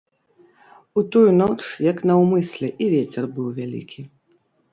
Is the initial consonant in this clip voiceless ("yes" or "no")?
yes